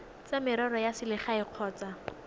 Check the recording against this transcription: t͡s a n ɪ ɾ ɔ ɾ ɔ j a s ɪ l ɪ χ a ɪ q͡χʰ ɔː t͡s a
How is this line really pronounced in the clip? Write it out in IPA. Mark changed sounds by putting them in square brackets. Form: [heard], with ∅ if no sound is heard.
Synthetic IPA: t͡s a [m] ɪ ɾ ɔ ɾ ɔ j a s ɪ l ɪ χ a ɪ q͡χʰ ɔː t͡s a